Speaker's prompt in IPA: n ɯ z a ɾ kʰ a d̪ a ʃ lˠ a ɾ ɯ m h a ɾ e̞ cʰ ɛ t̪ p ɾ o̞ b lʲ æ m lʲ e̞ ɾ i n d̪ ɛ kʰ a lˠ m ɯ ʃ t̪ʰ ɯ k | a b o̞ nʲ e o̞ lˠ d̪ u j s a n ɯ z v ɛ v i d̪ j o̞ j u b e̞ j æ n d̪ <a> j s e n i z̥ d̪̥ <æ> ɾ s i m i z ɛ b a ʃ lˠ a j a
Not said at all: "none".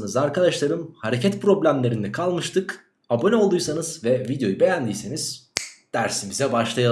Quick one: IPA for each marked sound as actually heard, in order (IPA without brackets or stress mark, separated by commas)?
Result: i, æ